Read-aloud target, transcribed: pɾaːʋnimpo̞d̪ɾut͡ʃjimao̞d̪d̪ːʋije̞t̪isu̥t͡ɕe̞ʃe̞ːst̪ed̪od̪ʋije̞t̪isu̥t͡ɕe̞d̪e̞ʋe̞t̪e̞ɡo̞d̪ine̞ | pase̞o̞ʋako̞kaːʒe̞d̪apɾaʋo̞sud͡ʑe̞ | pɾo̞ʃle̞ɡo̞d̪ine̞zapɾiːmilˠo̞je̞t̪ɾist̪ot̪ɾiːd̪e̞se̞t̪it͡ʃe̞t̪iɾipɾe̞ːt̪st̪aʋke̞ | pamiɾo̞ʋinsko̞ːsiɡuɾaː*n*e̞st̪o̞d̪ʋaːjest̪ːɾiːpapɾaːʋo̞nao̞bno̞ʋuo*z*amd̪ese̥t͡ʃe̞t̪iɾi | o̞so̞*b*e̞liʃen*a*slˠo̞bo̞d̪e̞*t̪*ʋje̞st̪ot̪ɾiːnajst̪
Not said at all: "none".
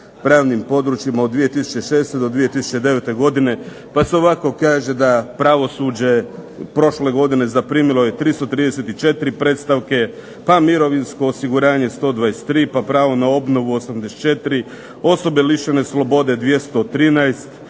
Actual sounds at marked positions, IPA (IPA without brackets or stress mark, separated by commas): ɲ, s, b, e, d̪